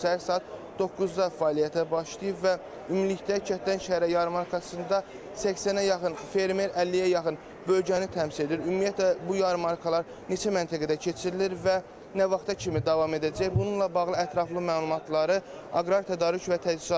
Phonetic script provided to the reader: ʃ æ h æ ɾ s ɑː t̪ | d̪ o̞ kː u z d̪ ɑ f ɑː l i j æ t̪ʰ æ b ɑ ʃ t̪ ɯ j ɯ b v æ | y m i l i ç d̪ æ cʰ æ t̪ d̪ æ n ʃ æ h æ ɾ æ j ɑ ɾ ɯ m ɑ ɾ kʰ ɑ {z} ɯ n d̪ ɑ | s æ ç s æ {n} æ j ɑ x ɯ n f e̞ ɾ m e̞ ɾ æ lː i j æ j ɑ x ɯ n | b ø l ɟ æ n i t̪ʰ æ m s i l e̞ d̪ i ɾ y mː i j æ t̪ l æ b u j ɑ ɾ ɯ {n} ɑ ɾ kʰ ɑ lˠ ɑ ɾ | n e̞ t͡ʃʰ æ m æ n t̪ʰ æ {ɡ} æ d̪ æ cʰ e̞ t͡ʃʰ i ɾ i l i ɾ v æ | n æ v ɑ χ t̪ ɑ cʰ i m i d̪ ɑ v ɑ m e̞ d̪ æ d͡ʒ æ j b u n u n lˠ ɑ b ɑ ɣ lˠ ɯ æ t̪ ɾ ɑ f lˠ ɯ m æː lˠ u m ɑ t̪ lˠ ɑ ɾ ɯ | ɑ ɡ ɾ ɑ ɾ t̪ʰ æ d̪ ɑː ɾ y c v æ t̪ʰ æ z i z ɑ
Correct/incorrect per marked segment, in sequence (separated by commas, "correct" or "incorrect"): incorrect, correct, incorrect, correct